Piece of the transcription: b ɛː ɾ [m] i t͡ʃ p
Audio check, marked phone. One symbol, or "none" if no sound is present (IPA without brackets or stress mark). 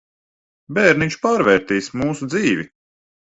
n